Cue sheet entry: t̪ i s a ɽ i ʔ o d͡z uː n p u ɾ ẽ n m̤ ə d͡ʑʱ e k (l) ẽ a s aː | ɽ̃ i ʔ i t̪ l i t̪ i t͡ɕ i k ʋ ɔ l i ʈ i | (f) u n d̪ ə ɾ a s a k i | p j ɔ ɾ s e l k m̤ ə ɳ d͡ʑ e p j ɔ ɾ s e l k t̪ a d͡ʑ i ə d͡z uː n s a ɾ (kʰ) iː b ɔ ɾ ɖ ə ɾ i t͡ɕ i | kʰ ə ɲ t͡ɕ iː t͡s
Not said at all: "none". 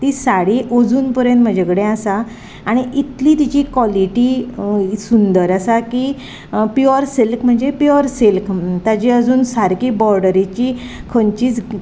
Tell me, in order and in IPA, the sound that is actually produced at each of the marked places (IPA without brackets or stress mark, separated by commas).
ɽ, s, k